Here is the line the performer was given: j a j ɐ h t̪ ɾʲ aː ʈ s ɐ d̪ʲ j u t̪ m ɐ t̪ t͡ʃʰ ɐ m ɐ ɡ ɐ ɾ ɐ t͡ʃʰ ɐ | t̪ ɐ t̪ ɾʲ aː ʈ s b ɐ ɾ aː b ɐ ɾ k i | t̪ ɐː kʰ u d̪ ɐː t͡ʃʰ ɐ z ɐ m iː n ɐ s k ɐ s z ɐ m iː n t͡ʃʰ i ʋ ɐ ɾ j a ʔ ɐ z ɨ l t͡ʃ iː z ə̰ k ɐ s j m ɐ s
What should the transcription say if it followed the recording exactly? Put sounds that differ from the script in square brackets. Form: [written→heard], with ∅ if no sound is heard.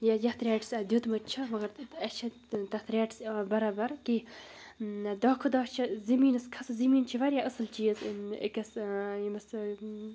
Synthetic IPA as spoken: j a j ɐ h t̪ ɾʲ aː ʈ s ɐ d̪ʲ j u t̪ m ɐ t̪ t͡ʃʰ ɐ m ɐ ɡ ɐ ɾ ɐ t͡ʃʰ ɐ | t̪ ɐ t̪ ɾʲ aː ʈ s b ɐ ɾ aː b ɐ ɾ k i | [t̪→d̪] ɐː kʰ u d̪ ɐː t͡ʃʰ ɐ z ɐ m iː n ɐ s [k→kʰ] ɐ s z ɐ m iː n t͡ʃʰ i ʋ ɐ ɾ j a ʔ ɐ [z→s] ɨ l t͡ʃ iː z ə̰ k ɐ s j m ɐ s

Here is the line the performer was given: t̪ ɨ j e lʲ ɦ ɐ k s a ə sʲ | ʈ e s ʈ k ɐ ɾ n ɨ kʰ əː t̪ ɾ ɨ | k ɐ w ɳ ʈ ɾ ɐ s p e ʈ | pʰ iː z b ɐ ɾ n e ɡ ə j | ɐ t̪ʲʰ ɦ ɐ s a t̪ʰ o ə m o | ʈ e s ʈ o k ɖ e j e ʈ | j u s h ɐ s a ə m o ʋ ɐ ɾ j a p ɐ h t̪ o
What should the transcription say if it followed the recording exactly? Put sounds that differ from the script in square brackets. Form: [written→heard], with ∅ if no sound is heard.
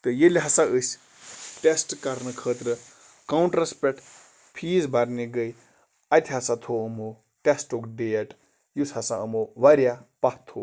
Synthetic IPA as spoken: t̪ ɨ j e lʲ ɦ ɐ [k→∅] s a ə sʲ | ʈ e s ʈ k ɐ ɾ n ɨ kʰ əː t̪ ɾ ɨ | k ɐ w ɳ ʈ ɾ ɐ s p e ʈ | pʰ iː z b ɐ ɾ n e ɡ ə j | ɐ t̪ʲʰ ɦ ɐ s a t̪ʰ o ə m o | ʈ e s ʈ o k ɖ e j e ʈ | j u s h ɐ s a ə m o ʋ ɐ ɾ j a p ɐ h [t̪→t̪ʰ] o

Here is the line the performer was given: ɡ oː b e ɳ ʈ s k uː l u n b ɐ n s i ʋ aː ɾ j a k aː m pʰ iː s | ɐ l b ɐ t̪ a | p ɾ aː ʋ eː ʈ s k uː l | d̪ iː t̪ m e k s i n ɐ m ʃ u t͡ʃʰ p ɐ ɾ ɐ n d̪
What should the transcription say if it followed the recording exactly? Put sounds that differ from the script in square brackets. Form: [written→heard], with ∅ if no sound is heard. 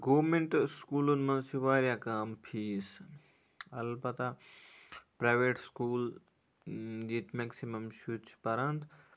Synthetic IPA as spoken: ɡ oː [b→m] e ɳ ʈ s k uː l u n [b→m] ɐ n s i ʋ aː ɾ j a k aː m pʰ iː s | ɐ l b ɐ t̪ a | p ɾ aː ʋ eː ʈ s k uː l | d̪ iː t̪ m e k s i [n→m] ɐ m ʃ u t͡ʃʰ p ɐ ɾ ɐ n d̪

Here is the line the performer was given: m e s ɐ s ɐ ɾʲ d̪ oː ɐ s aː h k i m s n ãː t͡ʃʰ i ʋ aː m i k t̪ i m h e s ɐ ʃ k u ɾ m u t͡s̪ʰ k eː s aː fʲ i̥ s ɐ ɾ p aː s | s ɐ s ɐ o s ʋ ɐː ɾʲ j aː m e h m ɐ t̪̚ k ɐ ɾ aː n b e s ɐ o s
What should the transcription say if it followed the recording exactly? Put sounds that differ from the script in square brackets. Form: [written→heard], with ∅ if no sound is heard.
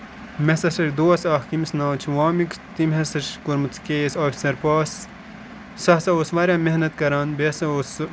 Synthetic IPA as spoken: m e s ɐ s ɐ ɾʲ d̪ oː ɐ s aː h k i m s n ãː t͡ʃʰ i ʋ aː m i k t̪ i m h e s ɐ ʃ k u ɾ m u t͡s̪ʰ k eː s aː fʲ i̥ s ɐ ɾ p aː s | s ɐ s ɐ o s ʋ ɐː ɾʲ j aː m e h [m→n] ɐ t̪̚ k ɐ ɾ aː n b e s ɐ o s

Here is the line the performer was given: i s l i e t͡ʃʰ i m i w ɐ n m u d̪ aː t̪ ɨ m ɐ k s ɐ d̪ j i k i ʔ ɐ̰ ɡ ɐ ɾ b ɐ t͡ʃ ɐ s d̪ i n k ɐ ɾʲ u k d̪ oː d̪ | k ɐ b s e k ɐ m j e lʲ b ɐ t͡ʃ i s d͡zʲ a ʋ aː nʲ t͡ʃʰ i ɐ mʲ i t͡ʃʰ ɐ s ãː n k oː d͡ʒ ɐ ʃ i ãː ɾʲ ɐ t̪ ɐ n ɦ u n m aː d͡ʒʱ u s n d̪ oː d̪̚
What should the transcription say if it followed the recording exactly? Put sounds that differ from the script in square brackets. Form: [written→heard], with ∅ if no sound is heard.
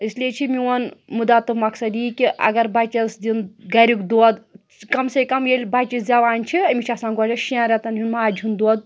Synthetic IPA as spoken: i s l i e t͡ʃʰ i m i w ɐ n m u d̪ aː t̪ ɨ m ɐ k s ɐ d̪ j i k i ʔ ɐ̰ ɡ ɐ ɾ b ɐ t͡ʃ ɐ s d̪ i n [k→ɡ] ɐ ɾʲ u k d̪ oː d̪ | k ɐ [b→m] s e k ɐ m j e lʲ b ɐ t͡ʃ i s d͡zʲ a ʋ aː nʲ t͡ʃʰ i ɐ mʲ i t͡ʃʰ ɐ s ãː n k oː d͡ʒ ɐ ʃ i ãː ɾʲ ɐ t̪ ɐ n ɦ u n m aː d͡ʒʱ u [s→∅] n d̪ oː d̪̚

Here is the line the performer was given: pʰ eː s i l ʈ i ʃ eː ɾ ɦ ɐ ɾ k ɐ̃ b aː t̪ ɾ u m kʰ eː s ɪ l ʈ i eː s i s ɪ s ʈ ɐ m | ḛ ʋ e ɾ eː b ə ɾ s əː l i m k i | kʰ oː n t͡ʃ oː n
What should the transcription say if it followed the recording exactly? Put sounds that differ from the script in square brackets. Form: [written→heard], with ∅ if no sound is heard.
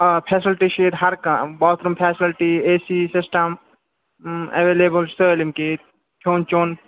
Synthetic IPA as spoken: pʰ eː s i l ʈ i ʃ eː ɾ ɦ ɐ ɾ k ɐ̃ b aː t̪ ɾ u m [kʰ→pʰ] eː s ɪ l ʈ i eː s i s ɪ s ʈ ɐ m | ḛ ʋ e [ɾ→l] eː b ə [ɾ→l] s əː l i m k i | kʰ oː n t͡ʃ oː n

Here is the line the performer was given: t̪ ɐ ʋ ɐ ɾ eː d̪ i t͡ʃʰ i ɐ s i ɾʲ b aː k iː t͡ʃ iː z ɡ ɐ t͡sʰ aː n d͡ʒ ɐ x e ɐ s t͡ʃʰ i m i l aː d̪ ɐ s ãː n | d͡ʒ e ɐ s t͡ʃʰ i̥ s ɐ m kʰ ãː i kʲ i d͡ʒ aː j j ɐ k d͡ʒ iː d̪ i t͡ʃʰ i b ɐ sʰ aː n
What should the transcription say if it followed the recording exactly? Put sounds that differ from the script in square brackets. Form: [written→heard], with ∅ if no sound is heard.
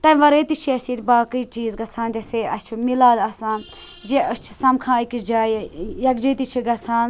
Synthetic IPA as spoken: t̪ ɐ ʋ ɐ ɾ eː [d̪→t̪] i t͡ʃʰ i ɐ s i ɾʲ b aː k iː t͡ʃ iː z ɡ ɐ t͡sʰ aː n d͡ʒ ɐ [x→s] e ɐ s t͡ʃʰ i m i l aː d̪ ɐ s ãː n | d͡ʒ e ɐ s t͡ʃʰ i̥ s ɐ m kʰ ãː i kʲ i d͡ʒ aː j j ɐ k d͡ʒ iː [d̪→t̪] i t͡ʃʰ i [b→ɡ] ɐ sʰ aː n

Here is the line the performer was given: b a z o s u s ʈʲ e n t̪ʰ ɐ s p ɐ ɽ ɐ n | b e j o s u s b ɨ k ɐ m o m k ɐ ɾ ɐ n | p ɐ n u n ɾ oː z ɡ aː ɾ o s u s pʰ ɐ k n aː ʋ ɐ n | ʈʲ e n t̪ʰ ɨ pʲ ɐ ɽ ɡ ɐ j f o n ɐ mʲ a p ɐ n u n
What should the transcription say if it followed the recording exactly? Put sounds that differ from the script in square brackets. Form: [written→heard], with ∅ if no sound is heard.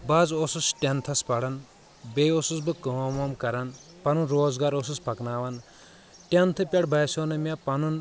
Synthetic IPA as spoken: b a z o s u s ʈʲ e n t̪ʰ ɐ s p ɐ ɽ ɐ n | b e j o s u s b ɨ k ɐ m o m k ɐ ɾ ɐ n | p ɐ n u n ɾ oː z ɡ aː ɾ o s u s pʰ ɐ k n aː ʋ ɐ n | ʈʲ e n t̪ʰ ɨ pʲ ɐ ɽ [ɡ→b] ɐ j [f→s] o n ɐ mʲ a p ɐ n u n

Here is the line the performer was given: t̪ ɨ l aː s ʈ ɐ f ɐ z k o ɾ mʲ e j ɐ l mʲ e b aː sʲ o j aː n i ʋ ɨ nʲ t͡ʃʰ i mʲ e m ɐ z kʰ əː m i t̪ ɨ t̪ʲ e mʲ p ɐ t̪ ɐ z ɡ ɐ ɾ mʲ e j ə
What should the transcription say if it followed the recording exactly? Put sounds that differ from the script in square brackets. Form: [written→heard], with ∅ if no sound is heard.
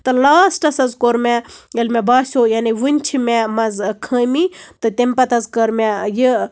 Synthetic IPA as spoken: t̪ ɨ l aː s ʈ ɐ [f→s] ɐ z k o ɾ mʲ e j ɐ l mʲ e b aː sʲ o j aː n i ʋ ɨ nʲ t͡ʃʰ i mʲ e m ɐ z kʰ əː m i t̪ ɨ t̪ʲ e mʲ p ɐ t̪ ɐ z [ɡ→k] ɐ ɾ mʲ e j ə

